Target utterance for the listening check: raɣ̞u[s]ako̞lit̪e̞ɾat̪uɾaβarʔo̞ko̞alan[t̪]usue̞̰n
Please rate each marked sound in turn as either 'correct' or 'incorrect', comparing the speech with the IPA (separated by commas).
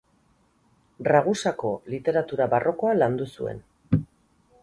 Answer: correct, incorrect